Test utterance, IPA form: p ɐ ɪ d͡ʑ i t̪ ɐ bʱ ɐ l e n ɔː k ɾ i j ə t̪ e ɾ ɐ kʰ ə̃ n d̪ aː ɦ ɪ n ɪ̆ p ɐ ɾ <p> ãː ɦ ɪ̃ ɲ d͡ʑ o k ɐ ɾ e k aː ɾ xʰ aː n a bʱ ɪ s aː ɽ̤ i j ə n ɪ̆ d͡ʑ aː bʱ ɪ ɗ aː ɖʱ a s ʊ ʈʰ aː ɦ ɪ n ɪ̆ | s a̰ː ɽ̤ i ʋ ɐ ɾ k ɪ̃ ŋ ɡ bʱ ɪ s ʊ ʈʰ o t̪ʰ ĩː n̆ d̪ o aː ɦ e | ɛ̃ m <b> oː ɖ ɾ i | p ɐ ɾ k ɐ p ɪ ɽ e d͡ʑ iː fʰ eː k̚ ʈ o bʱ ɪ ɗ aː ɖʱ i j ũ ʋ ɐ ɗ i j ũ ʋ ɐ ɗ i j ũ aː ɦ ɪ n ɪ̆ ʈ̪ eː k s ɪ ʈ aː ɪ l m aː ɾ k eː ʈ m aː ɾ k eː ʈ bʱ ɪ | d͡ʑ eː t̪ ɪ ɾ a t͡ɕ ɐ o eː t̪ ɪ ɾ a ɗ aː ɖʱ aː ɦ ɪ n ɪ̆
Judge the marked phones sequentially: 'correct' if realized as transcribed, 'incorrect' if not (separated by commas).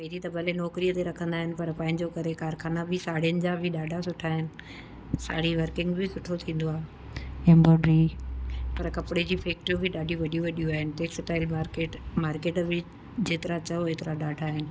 correct, correct